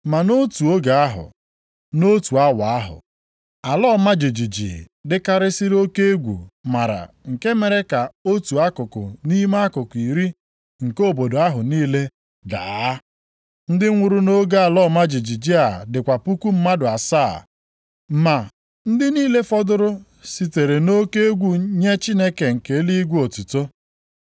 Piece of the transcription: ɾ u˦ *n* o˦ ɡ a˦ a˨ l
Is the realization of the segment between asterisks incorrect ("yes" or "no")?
no